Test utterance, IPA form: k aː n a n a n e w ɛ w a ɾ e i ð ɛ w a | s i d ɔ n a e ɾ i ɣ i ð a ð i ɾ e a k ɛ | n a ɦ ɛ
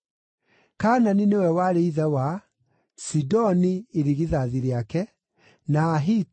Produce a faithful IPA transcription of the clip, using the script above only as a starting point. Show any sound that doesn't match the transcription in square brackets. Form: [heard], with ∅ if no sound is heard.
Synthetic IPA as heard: k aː n a n [i] n e w ɛ w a ɾ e i ð ɛ w a | s i d ɔ n [i] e ɾ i ɣ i ð a ð i ɾ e a k ɛ | n a ɦ [i]